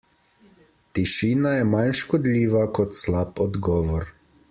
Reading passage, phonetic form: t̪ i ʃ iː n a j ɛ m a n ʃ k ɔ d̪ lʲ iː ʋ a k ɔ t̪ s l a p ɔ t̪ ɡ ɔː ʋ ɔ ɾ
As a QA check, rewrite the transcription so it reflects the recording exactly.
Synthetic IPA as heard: t̪ i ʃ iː n a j ɛ m a n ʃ k ɔ d̪ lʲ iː ʋ a k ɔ t̪ s l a p ɔ d̪ ɡ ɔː ʋ ɔ ɾ